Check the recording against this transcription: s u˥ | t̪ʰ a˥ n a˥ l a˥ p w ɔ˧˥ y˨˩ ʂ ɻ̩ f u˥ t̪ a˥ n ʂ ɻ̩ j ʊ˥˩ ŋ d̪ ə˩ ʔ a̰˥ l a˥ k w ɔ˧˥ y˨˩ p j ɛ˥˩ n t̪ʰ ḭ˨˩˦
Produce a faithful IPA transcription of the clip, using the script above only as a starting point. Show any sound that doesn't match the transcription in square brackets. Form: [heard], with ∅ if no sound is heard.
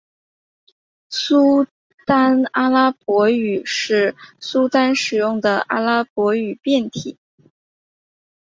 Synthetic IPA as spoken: s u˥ | [t̪] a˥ n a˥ l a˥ p w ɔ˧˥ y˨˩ ʂ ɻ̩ [s] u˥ t̪ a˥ n ʂ ɻ̩ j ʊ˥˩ ŋ d̪ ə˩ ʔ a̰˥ l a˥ [p] w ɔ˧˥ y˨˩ p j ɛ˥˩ n t̪ʰ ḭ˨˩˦